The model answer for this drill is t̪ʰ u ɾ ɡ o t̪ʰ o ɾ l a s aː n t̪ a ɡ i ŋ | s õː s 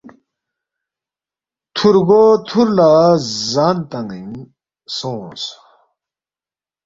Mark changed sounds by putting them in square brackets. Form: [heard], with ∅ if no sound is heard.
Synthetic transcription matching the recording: t̪ʰ u ɾ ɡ o t̪ʰ [u] ɾ l a [z] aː n t̪ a [ŋ] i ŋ | s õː s